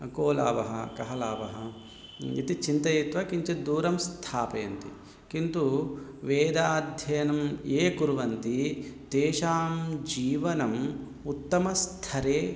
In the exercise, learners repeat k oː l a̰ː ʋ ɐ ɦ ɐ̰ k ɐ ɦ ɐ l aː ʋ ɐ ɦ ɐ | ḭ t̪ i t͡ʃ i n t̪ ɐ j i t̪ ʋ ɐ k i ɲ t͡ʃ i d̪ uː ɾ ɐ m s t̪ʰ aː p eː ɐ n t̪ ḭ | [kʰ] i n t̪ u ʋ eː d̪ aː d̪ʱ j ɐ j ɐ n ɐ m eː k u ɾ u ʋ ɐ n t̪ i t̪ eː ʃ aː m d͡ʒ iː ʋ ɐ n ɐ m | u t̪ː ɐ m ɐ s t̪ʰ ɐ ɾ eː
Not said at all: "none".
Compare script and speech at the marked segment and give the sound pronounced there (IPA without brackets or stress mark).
k